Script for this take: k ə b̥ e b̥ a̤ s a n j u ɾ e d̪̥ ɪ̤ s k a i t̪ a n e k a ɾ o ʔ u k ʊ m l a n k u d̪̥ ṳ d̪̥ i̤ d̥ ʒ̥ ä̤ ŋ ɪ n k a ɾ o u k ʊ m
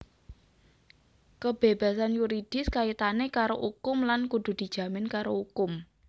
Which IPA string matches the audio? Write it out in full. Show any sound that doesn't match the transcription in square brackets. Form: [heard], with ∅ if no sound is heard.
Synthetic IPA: k ə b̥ e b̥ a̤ s a n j u ɾ [i] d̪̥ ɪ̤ s k a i t̪ a n e k a ɾ o ʔ u k ʊ m l a n k u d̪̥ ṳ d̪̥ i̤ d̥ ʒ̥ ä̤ [m] ɪ n k a ɾ o u k ʊ m